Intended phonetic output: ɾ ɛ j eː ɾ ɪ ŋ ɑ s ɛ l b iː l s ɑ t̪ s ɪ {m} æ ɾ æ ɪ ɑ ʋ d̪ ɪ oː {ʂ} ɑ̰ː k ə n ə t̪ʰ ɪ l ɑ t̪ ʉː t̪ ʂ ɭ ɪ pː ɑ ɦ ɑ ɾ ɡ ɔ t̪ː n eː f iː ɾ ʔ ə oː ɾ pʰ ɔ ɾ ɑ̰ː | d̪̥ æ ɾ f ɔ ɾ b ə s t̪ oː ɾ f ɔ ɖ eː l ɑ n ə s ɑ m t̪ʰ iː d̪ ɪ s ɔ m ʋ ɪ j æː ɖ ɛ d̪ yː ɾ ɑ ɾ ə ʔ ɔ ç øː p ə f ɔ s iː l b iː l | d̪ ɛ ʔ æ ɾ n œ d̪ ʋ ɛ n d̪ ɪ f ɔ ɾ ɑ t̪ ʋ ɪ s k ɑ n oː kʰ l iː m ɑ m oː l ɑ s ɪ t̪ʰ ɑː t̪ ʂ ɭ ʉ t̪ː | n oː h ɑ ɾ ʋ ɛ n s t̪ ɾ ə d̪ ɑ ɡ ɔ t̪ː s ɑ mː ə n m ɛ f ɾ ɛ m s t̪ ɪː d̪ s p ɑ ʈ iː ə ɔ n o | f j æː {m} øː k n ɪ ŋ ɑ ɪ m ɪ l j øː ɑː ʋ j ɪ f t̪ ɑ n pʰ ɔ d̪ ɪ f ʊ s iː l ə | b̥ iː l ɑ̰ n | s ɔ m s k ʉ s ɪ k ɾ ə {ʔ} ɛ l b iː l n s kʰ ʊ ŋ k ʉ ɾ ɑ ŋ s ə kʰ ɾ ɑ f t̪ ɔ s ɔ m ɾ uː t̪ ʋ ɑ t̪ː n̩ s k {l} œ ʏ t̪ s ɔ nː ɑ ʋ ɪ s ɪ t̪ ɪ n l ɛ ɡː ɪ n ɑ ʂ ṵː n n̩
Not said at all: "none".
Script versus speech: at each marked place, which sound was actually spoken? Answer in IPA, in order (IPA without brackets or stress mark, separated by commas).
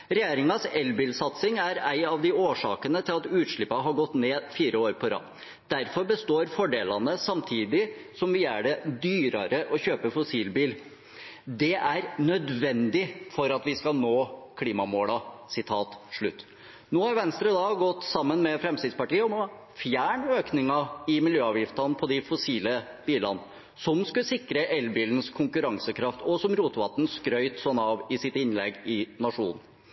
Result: ŋ, ʂ, ɳ, ʔ, ɾ